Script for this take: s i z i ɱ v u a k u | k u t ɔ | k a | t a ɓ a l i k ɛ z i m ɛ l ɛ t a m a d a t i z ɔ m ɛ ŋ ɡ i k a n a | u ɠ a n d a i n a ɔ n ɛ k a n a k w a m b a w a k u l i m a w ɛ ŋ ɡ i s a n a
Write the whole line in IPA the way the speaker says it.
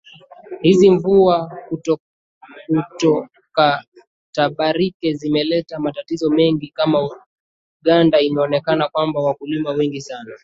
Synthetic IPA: h i z i ɱ v u a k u | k u t ɔ | k a | t a ɓ a ɾ i k ɛ z i m ɛ l ɛ t a m a t a t i z ɔ m ɛ ŋ ɡ i k a m a | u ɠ a n d a i n a ɔ n ɛ k a n a k w a m b a w a k u l i m a w ɛ ŋ ɡ i s a n a